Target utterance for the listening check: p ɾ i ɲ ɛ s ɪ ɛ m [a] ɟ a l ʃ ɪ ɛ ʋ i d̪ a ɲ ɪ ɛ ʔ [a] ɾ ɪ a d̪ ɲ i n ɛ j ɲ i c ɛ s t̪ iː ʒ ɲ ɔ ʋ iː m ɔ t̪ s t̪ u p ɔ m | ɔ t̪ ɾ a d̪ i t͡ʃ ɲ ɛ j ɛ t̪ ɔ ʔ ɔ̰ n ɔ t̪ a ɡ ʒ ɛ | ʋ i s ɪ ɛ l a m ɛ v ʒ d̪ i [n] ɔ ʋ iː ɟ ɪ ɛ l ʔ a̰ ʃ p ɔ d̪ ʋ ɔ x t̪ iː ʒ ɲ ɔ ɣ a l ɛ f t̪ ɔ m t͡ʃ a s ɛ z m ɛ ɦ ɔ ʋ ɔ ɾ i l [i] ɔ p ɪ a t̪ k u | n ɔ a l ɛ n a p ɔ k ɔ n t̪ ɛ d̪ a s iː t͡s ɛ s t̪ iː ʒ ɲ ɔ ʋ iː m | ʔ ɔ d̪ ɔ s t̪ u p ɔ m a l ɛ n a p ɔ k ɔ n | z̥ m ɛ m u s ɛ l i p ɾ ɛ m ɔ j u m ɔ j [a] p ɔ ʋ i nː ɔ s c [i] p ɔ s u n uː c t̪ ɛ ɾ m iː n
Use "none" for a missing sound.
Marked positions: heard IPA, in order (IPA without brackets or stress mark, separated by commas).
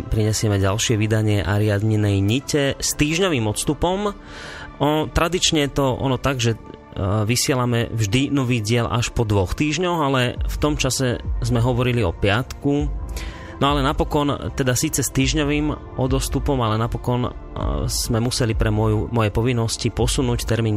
ɛ, a, n, i, ɛ, i